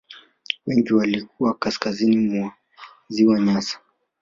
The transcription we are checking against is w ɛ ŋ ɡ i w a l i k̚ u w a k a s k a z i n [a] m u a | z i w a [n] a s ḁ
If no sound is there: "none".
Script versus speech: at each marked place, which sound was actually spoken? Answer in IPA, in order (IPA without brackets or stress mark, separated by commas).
i, ɲ